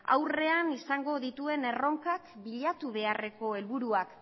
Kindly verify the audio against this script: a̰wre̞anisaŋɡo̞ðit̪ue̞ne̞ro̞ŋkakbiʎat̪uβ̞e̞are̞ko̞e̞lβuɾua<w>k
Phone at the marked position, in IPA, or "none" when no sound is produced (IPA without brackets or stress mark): none